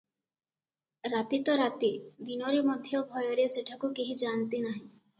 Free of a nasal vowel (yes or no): no